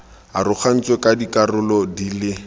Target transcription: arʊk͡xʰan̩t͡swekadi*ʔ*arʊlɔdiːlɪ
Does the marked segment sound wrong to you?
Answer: yes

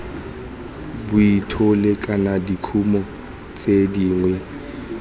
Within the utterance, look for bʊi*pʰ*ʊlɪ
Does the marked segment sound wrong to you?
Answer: yes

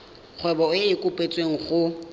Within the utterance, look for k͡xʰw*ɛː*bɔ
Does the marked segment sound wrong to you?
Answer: yes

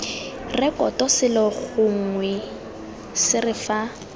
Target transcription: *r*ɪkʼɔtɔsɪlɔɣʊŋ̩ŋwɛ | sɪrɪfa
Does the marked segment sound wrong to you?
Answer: no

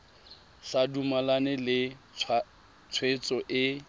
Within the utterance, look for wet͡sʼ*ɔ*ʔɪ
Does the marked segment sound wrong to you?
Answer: no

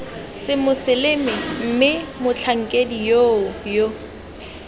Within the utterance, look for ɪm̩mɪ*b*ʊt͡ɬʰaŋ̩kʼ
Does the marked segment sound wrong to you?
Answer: yes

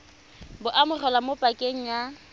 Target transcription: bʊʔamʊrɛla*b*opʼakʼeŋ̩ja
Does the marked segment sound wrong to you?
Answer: yes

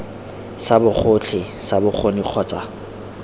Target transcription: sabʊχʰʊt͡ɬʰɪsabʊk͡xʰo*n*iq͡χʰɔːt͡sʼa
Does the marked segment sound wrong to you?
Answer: no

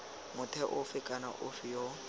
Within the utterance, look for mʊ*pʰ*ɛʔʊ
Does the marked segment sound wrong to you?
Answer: yes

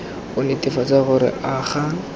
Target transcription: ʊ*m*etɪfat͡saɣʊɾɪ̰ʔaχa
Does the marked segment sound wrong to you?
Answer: yes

